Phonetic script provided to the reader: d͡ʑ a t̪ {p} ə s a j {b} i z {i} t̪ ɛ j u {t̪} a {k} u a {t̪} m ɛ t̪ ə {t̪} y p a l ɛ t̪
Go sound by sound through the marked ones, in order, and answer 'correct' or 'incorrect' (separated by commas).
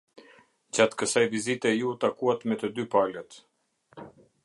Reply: incorrect, incorrect, correct, correct, correct, correct, incorrect